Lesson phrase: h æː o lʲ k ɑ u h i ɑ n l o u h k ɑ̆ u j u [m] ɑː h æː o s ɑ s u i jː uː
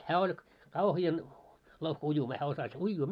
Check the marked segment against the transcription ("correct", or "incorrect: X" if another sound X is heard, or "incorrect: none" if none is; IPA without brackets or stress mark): correct